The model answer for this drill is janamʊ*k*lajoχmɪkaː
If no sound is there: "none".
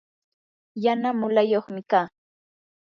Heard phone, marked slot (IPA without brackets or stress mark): none